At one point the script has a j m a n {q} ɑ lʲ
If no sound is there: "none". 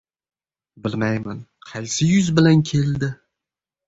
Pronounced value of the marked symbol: qʰ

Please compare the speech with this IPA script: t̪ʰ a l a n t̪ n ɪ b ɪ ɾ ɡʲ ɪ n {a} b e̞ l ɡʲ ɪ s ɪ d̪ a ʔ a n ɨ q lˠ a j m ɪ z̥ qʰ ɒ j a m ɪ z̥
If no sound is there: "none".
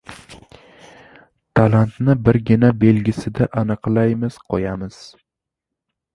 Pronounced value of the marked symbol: a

